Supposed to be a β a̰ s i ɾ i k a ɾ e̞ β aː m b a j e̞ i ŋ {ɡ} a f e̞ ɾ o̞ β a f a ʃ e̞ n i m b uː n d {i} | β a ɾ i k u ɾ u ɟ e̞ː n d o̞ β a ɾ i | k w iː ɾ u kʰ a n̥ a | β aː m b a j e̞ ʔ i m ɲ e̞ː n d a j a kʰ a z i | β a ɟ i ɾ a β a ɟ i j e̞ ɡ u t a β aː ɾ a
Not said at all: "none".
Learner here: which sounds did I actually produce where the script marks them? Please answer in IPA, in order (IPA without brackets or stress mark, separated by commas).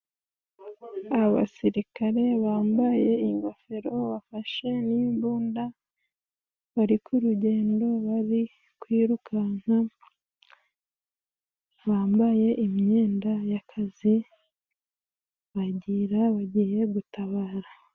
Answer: ɡ, a